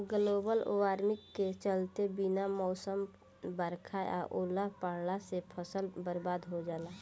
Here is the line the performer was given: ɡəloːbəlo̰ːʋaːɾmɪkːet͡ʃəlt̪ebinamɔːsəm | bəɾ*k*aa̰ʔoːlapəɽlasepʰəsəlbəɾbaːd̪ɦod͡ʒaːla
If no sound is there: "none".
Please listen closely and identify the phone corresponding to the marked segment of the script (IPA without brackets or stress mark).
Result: kʰ